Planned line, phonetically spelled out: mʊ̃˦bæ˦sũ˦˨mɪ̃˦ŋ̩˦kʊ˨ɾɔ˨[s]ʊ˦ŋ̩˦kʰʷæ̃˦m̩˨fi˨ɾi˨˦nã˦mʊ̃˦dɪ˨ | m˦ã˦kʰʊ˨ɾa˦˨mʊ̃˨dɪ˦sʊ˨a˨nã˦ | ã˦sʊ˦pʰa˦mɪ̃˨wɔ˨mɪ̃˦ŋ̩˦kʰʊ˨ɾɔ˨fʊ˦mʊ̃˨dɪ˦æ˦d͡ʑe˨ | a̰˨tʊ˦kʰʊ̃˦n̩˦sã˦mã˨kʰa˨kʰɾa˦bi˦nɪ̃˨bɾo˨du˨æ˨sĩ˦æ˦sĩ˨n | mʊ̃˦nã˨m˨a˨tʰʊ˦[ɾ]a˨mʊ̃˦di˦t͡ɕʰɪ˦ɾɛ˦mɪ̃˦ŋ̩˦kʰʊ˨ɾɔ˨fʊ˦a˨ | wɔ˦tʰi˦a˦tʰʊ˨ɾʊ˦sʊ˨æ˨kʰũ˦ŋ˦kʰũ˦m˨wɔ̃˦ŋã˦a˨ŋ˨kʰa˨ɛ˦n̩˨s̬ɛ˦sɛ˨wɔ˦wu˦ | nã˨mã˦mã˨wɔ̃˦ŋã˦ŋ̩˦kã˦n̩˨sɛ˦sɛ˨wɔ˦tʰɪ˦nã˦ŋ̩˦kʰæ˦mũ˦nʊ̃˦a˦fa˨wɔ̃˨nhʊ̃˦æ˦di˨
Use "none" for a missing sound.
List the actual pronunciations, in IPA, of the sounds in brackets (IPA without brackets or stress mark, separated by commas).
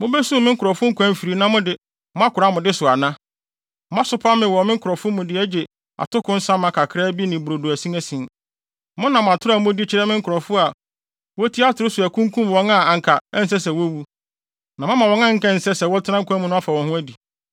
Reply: f, ɾ